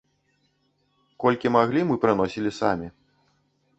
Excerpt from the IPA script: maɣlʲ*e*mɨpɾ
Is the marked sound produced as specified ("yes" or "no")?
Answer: no